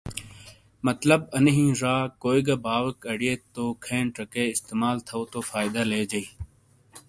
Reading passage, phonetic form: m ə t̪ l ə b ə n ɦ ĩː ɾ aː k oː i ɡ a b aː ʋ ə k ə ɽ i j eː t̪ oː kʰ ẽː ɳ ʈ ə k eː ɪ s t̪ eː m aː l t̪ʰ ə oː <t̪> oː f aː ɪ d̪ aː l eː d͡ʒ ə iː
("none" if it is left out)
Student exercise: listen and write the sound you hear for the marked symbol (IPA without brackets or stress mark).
t̪